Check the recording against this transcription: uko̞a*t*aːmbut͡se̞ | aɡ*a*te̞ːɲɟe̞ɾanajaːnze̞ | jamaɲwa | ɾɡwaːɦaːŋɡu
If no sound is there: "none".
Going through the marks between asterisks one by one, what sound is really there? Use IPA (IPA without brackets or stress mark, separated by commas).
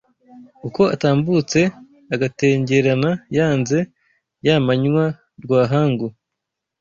t, a